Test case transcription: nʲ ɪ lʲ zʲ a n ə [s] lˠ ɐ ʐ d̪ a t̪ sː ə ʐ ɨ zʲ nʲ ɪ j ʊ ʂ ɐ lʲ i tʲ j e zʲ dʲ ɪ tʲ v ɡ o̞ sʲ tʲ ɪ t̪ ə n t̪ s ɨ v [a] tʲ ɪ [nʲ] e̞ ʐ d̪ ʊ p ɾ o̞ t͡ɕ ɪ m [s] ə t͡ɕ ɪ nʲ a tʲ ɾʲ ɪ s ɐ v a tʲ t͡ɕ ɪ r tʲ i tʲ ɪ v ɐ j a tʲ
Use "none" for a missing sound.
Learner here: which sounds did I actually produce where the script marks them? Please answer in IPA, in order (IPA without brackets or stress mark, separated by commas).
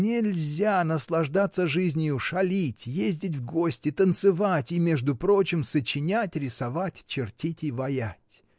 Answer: s, a, mʲ, s